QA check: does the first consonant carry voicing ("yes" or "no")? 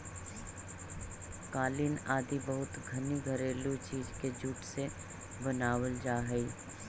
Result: no